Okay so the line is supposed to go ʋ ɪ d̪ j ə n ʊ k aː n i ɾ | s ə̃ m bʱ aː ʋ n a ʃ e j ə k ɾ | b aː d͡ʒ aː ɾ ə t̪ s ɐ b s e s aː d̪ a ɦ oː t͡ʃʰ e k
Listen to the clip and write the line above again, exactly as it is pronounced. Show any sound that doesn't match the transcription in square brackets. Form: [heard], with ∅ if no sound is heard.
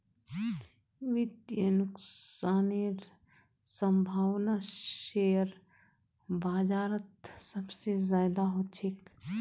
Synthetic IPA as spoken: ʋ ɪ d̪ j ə n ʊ k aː n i ɾ | s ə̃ m bʱ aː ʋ n a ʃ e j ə [∅] ɾ | b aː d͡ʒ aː ɾ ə t̪ s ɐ b s e [z] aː d̪ a ɦ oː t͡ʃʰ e k